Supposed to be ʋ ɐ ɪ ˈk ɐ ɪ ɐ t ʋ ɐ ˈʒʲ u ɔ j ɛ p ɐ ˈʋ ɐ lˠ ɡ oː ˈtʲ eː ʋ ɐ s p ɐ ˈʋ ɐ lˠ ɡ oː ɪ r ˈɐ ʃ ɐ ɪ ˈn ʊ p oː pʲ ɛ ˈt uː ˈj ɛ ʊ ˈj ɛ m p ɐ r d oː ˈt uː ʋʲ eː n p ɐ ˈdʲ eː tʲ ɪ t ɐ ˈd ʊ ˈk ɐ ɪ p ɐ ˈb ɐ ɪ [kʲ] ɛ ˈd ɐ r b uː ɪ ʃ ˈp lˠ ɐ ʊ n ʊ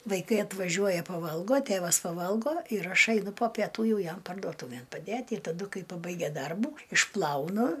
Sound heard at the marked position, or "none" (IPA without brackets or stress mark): ɡʲ